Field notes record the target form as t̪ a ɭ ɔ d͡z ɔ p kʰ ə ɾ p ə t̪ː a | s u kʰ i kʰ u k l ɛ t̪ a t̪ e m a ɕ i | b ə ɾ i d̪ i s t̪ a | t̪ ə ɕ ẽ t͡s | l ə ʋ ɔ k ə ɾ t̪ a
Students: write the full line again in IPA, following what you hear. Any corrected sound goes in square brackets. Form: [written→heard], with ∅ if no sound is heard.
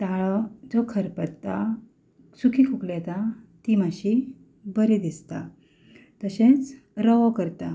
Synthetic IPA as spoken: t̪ a ɭ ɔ d͡z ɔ [p→∅] kʰ ə ɾ p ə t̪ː a | s u kʰ i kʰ u k l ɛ t̪ a t̪ [e→i] m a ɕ i | b ə ɾ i d̪ i s t̪ a | t̪ ə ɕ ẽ t͡s | [l→ɾ] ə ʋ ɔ k ə ɾ t̪ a